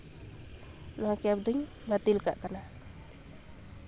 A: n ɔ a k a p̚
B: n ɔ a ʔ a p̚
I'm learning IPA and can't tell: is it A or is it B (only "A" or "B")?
A